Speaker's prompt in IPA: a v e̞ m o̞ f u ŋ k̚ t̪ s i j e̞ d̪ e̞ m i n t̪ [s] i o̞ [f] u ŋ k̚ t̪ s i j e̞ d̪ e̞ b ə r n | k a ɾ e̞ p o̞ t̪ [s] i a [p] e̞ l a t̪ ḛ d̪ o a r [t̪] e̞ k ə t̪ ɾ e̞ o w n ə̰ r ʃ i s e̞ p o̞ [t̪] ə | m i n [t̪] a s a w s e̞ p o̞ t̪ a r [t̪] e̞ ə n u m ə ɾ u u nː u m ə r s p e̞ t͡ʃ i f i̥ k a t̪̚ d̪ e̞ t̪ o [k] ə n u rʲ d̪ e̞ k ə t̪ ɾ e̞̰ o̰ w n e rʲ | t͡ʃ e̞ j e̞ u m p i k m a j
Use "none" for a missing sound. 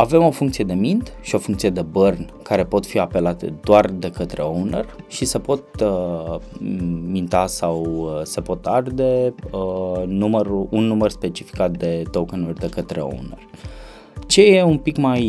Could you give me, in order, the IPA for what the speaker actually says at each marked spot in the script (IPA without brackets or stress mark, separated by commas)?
ʃ, f, f, p, d̪, t̪, t̪, d̪, k